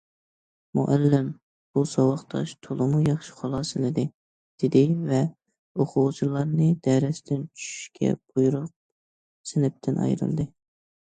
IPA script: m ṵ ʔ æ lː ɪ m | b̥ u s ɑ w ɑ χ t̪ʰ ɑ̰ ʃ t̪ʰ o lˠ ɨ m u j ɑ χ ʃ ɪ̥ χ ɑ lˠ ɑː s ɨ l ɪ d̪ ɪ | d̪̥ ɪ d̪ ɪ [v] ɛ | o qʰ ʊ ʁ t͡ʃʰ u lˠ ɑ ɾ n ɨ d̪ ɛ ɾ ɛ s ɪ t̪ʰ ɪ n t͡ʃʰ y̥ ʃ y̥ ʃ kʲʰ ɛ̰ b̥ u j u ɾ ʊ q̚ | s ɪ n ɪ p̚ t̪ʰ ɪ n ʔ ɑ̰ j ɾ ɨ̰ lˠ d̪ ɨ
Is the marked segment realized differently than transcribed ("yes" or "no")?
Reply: no